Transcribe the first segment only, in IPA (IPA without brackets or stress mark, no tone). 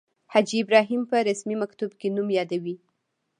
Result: h